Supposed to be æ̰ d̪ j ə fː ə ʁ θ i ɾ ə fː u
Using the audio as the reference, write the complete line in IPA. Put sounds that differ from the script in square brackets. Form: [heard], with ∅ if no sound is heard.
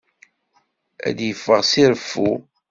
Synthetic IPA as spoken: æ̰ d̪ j ə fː ə ʁ [s] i ɾ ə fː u